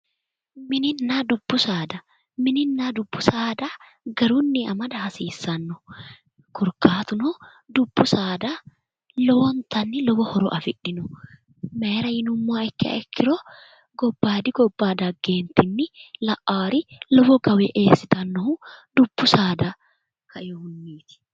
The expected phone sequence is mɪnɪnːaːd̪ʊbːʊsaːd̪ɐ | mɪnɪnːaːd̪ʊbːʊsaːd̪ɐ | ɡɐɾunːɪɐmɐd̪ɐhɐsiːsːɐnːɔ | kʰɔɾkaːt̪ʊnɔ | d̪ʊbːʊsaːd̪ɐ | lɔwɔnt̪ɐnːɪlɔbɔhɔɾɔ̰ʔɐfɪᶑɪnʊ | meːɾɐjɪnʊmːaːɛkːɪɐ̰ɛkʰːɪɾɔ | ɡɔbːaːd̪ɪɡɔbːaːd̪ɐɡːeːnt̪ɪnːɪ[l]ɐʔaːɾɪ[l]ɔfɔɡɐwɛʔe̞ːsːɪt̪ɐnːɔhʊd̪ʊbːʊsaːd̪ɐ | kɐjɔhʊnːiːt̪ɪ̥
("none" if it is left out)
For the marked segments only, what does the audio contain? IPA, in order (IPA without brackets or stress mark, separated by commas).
l, l